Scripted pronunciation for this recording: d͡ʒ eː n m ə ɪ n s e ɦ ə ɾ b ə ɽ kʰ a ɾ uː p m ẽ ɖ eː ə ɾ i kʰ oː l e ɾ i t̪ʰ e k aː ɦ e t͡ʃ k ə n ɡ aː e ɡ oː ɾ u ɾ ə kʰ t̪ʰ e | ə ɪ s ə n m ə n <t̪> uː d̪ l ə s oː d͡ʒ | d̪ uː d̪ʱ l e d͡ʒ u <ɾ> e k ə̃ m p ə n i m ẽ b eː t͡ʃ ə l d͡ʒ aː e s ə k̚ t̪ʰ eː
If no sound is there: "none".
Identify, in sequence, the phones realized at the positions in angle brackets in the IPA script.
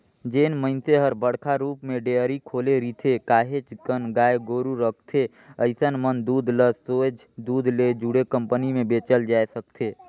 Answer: d̪, ɽ

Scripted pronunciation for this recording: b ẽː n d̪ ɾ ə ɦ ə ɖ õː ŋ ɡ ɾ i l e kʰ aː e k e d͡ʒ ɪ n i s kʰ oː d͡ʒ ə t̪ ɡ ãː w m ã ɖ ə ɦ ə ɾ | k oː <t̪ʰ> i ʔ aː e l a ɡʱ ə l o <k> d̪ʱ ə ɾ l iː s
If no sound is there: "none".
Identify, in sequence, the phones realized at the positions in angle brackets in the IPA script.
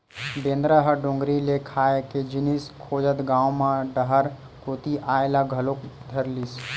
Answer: t̪, k

